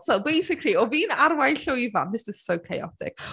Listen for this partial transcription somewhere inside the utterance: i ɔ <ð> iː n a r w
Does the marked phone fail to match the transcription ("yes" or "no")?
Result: yes